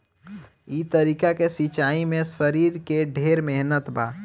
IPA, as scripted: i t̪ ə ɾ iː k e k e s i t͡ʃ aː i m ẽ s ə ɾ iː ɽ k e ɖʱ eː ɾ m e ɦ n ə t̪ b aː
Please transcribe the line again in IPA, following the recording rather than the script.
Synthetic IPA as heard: i t̪ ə ɾ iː k a k e s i t͡ʃ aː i m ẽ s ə ɾ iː ɾ k e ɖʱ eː ɾ m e ɦ n ə t̪ b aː